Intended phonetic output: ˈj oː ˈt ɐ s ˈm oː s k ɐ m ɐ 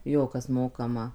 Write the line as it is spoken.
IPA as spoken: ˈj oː ˈk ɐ s ˈm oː k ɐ m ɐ